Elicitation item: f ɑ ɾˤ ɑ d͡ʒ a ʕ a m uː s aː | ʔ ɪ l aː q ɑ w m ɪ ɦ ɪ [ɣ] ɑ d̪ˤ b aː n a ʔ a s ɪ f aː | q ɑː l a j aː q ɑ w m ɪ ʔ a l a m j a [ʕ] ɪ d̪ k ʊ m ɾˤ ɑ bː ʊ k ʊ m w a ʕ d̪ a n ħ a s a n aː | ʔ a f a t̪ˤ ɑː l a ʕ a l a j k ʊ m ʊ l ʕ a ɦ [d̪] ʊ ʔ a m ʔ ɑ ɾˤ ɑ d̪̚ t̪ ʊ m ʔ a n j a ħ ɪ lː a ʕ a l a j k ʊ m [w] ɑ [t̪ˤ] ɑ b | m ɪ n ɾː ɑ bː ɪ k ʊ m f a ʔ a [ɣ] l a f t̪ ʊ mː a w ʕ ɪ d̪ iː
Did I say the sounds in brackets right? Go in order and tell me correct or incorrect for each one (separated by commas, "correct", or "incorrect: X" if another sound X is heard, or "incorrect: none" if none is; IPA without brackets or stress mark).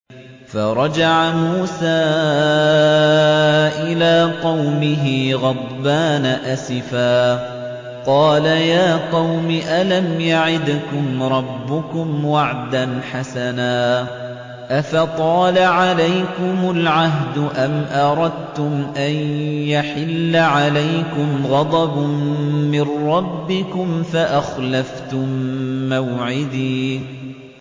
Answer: correct, correct, correct, incorrect: ɣ, incorrect: d̪ˤ, incorrect: x